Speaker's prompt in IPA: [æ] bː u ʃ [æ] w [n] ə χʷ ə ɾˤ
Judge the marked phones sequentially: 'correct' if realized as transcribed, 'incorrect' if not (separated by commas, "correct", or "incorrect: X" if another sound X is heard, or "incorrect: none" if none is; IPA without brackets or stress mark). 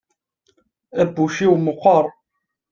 correct, incorrect: i, incorrect: m